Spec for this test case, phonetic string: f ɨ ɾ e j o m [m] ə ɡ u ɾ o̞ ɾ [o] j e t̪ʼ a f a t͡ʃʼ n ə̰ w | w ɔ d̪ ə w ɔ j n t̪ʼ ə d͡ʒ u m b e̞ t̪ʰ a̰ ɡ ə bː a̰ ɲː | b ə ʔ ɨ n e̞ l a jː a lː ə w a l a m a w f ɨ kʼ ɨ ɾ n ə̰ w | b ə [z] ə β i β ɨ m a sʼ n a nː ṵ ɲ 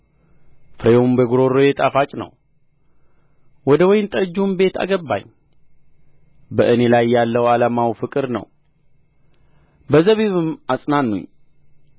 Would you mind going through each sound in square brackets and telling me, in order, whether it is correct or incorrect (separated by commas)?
incorrect, correct, correct